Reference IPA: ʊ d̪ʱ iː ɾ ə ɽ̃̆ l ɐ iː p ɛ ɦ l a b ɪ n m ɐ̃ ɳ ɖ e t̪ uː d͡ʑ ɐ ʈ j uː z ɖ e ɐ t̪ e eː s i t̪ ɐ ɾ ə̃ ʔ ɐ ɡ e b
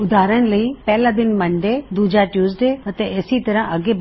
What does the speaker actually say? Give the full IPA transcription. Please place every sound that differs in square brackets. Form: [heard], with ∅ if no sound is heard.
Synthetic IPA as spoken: ʊ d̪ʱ [aː] ɾ ə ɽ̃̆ l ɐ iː p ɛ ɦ l a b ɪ n m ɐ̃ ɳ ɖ e [d̪] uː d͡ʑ [a] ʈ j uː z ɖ e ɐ t̪ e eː s i t̪ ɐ ɾ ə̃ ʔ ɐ ɡ e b